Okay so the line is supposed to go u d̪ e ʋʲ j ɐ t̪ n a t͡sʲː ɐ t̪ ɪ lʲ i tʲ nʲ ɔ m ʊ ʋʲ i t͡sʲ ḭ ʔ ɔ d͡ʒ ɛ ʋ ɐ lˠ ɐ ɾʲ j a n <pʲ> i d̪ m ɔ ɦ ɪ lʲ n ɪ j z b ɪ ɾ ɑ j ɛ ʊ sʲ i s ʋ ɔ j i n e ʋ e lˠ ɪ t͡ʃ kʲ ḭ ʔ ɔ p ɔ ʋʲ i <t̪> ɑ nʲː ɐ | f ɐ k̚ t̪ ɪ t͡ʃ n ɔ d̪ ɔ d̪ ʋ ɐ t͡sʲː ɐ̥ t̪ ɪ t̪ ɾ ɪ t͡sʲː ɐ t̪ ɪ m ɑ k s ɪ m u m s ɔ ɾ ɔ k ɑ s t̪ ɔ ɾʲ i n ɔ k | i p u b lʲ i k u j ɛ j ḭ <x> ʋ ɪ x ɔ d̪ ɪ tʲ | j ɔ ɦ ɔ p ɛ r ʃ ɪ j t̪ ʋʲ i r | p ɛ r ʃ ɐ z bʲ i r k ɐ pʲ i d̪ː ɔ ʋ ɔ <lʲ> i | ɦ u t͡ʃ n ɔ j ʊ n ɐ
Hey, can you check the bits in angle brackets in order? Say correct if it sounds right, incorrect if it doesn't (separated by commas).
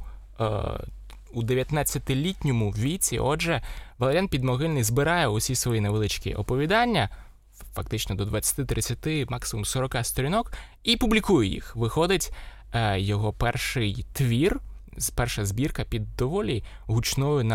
correct, incorrect, correct, correct